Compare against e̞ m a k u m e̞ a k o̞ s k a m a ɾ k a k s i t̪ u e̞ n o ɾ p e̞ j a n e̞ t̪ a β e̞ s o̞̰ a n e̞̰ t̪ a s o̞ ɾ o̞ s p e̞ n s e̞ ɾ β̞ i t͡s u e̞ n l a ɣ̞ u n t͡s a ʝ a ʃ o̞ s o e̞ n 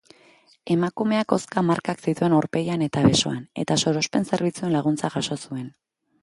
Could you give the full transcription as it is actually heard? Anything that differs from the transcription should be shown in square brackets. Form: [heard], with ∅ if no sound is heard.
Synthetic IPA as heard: e̞ m a k u m e̞ a k o̞ s k a m a ɾ k a k s i t̪ u e̞ n o ɾ p e̞ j a n e̞ t̪ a β e̞ s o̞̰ a n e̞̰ t̪ a s o̞ ɾ o̞ s p e̞ n s e̞ ɾ β̞ i t͡s u e̞ n l a ɣ̞ u n t͡s a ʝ a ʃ o̞ s [u] e̞ n